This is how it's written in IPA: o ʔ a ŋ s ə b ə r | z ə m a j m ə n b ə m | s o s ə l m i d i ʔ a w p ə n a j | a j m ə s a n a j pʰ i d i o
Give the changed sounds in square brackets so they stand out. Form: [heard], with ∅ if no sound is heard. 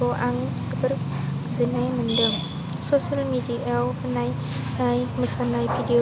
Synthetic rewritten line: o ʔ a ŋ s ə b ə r | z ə [n] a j m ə n [d] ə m | s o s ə l m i d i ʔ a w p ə n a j | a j m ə s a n a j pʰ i d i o

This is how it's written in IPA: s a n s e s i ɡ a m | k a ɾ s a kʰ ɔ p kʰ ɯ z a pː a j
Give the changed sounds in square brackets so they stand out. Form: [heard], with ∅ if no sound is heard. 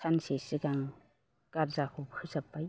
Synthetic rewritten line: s a n s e s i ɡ a [ŋ] | k a ɾ [z] a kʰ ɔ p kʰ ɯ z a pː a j

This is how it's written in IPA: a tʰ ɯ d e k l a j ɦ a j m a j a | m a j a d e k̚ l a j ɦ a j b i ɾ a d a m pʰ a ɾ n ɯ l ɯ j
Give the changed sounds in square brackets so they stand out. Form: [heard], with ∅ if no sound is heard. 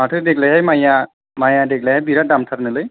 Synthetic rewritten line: a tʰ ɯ d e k l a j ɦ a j m a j a | m a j a d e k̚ l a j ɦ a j b i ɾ a d a m [tʰ] a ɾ n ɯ l ɯ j

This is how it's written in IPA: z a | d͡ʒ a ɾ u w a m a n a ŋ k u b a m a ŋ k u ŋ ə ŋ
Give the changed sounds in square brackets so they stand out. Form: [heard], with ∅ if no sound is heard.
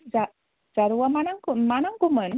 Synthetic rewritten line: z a | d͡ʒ a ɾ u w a m a n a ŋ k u [m] a [n] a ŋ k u [m] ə [n]

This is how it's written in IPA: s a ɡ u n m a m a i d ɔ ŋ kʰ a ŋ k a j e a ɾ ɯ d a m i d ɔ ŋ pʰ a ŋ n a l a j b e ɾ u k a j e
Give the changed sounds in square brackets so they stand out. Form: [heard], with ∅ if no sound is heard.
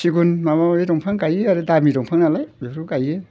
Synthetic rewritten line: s [i] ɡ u n m a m a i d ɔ ŋ [pʰ] a ŋ k a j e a ɾ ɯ d a m i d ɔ ŋ pʰ a ŋ n a l a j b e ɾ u k a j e

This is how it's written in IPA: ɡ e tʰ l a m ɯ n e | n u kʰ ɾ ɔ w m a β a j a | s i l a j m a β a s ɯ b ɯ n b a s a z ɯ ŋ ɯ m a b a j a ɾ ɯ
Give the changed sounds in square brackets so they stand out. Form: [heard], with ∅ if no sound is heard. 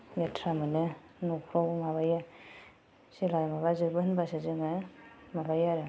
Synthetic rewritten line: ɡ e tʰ [ɾ] a m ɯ n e | n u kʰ ɾ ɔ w m a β a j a | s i l a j m a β a [z] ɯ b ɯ n b a s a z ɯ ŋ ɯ m a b a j a ɾ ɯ

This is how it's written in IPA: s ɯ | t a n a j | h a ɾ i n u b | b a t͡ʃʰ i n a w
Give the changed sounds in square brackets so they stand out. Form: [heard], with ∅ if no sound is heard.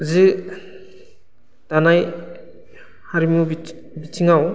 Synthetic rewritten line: [z] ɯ | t a n a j | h a ɾ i [m] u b | b [i] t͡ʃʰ i [ŋ] a w

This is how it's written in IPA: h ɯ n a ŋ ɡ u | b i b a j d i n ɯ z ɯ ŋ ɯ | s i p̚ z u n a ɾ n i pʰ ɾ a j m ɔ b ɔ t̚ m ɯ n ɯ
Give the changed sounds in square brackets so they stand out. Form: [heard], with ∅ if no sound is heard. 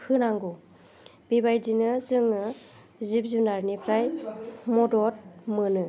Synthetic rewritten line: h ɯ n a ŋ ɡ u | b i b a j d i n ɯ z ɯ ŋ ɯ | [z] i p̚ z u n a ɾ n i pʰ ɾ a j m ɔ [d] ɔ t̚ m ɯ n ɯ

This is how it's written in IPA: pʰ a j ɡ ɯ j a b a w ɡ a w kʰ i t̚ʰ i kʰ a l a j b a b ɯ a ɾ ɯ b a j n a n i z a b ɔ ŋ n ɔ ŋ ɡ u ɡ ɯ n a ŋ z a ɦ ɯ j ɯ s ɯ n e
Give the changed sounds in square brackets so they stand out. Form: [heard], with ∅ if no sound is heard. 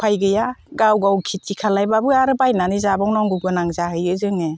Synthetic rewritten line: pʰ a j ɡ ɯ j a [ɡ] a w ɡ a w kʰ i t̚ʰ i kʰ a l a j b a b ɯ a ɾ ɯ b a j n a n i z a b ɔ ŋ n ɔ ŋ ɡ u ɡ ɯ n a ŋ z a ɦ ɯ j ɯ [z] ɯ [ŋ] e

